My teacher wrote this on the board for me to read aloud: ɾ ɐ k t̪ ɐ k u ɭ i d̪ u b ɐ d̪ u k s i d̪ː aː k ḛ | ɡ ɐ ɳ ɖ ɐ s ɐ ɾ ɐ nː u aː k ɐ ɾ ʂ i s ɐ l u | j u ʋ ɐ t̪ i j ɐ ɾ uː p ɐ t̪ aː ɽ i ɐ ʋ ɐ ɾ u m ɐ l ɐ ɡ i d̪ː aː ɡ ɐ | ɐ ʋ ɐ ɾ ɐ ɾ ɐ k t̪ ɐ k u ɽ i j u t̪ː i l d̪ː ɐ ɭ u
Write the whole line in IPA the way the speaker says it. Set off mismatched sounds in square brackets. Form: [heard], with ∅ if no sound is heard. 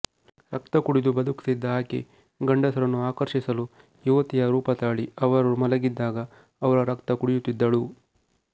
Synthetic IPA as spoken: ɾ ɐ k t̪ ɐ k u [ɽ] i d̪ u b ɐ d̪ u k s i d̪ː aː k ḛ | ɡ ɐ ɳ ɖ ɐ s ɐ ɾ ɐ nː u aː k ɐ ɾ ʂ i s ɐ l u | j u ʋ ɐ t̪ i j ɐ ɾ uː p ɐ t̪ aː [ɭ] i ɐ ʋ ɐ ɾ u m ɐ l ɐ ɡ i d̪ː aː ɡ ɐ | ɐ ʋ ɐ ɾ ɐ ɾ ɐ k t̪ ɐ k u ɽ i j u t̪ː i [∅] d̪ː ɐ ɭ u